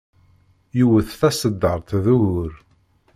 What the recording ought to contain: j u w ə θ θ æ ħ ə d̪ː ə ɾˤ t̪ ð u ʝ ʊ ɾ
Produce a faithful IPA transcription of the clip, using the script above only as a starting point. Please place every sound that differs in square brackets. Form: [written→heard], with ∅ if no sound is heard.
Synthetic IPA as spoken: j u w ə θ θ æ [ħ→s] ə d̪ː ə ɾˤ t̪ ð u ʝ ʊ ɾ